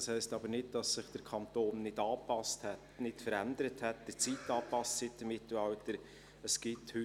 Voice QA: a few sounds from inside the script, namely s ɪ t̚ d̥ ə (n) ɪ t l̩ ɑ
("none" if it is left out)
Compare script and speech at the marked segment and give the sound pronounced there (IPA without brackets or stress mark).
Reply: m